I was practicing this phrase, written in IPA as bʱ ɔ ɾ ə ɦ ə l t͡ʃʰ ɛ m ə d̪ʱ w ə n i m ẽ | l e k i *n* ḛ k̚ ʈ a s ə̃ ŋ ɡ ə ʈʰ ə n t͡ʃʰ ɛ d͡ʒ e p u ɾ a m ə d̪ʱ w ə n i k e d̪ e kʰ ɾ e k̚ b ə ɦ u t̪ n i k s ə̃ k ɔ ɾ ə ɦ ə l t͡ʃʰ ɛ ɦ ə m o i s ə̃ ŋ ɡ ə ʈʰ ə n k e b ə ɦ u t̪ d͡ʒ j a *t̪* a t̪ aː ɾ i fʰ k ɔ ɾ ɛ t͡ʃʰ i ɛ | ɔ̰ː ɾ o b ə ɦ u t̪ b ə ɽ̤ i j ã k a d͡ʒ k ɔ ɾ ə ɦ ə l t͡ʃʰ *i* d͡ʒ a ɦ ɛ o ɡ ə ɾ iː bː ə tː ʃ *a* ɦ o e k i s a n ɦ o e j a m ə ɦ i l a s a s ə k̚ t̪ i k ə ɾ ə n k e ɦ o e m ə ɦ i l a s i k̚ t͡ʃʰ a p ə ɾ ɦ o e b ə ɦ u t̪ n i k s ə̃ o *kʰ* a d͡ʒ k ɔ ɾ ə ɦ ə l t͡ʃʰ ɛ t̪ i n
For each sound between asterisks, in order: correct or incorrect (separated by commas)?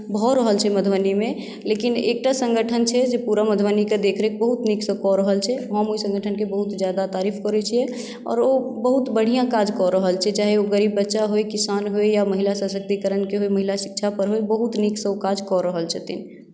correct, incorrect, incorrect, correct, incorrect